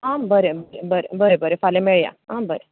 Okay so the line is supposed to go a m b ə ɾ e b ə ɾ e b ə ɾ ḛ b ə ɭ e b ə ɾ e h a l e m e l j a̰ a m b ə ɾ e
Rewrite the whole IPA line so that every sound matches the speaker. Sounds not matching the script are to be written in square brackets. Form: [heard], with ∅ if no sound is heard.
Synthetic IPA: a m b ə ɾ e b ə ɾ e b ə ɾ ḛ b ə [ɾ] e b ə ɾ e [f] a l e m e [ɭ] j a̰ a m b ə ɾ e